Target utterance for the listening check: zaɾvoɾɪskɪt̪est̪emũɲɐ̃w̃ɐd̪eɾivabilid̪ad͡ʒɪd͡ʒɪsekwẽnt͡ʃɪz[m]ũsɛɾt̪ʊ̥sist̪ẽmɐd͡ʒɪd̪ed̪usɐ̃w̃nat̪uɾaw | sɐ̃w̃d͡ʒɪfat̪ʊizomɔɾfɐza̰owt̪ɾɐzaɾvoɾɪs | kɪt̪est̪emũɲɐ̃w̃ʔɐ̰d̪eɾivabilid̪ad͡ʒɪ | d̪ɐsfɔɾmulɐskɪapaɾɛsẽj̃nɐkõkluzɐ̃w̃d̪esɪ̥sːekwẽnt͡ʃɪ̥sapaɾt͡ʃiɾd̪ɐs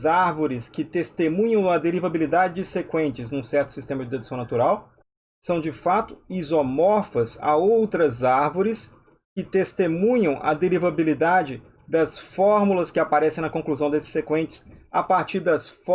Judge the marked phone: incorrect: n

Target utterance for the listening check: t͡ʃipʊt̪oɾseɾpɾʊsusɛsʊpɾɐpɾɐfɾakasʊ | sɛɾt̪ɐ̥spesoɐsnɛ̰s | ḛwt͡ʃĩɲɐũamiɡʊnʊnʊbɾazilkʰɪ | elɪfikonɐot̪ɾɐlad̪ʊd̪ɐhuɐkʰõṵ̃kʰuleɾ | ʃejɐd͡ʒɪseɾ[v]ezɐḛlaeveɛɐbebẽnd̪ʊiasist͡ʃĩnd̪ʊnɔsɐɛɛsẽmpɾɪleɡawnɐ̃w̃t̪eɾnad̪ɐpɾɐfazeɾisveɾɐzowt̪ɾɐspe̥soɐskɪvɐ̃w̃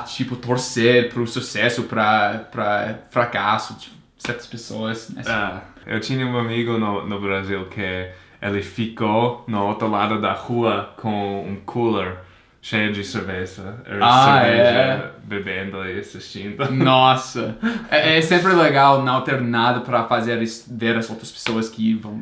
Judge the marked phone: correct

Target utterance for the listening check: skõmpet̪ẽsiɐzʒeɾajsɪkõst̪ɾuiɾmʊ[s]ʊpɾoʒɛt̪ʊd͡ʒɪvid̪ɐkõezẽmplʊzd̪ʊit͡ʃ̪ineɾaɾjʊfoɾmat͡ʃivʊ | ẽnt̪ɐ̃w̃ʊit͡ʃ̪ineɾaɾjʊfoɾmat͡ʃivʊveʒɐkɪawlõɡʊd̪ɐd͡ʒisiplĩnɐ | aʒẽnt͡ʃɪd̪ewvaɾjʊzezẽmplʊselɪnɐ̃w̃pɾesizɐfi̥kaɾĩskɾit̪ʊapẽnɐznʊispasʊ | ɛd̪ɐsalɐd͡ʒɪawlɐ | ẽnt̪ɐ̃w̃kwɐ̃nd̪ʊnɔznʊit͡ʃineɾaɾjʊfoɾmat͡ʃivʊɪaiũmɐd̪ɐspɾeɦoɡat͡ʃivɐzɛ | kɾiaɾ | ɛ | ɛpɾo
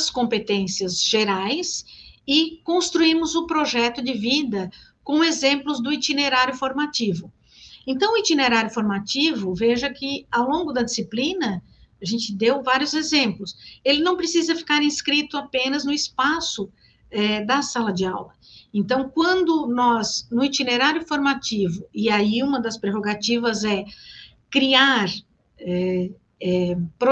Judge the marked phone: incorrect: z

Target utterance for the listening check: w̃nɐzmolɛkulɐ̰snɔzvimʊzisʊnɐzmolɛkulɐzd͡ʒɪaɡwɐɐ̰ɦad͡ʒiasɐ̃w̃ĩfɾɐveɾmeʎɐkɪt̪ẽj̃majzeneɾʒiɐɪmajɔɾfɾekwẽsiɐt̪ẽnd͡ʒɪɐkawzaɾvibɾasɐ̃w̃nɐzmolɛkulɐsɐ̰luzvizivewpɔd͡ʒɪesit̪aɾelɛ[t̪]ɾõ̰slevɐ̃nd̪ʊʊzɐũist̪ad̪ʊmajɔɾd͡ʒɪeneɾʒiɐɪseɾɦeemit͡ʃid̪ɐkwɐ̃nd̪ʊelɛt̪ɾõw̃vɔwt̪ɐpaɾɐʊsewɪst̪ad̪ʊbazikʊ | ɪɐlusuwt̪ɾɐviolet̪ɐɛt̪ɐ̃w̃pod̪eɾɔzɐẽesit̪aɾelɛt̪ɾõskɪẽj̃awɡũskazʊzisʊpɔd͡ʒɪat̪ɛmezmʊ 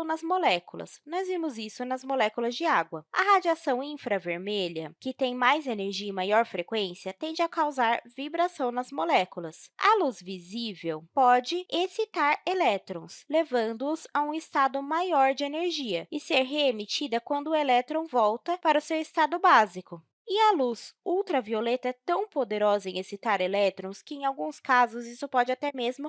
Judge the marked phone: correct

